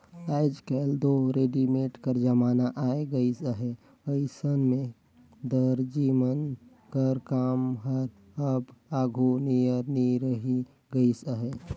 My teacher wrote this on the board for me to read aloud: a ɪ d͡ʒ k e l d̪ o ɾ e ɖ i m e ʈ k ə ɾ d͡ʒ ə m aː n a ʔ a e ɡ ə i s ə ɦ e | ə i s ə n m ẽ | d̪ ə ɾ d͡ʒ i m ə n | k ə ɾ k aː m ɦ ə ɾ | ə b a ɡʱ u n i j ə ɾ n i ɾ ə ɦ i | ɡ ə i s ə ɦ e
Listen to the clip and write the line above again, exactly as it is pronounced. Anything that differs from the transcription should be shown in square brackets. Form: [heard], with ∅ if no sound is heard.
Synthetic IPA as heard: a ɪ d͡ʒ k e l d̪ o ɾ e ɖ i m e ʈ k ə ɾ d͡ʒ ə m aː n a ʔ a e ɡ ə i s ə ɦ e | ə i s ə n m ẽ | d̪ ə ɾ d͡ʒ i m ə n | k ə ɾ k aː m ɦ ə ɾ | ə b a ɡʱ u n i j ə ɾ n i ɾ ə ɦ i | ɡ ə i s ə ɦ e